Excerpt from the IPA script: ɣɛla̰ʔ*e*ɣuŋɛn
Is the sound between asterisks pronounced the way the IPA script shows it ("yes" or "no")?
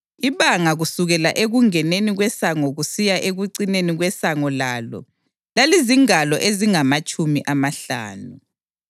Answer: yes